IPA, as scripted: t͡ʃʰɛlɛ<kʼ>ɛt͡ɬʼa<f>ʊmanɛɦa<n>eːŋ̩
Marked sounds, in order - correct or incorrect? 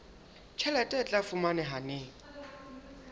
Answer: incorrect, correct, correct

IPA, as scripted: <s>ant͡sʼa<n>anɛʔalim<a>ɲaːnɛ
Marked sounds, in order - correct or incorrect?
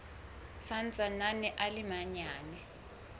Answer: correct, correct, correct

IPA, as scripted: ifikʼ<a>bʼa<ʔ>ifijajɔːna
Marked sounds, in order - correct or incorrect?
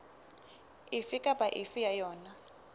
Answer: correct, correct

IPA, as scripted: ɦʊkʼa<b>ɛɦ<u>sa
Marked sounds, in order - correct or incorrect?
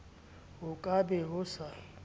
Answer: correct, incorrect

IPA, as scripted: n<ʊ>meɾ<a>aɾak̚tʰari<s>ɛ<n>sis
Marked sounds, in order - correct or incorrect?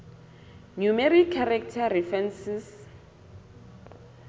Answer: incorrect, incorrect, incorrect, correct

